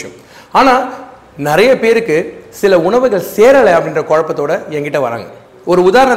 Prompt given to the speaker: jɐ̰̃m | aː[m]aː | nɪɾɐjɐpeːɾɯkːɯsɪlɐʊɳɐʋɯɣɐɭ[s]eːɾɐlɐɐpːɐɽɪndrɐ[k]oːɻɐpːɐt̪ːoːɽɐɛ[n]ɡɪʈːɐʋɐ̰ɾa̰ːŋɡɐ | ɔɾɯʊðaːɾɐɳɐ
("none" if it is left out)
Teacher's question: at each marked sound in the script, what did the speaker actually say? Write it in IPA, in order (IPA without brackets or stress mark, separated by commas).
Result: n, s, k, ŋ